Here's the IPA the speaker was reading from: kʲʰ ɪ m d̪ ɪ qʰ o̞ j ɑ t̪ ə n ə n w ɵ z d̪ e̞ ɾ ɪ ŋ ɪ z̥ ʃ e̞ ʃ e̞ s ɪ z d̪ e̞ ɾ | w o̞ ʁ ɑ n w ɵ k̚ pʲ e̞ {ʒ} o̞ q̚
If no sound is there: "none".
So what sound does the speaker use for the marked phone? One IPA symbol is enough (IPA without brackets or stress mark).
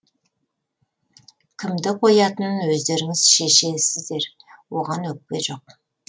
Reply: ʒ